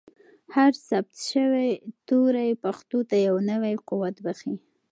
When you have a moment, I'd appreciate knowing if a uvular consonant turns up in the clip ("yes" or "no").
yes